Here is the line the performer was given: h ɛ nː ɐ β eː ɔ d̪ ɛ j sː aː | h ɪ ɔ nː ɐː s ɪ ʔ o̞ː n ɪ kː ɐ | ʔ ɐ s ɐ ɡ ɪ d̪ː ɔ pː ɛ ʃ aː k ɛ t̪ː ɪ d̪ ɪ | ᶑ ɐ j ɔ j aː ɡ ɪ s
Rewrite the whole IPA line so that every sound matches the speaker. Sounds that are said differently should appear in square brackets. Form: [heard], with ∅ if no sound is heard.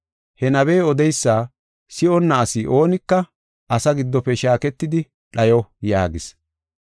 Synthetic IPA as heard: h ɛ [n] ɐ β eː ɔ d̪ ɛ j sː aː | [s] ɪ ɔ nː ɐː s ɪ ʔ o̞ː n ɪ kː ɐ | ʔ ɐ s ɐ ɡ ɪ d̪ː ɔ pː ɛ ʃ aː k ɛ t̪ː ɪ d̪ ɪ | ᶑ ɐ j ɔ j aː ɡ ɪ s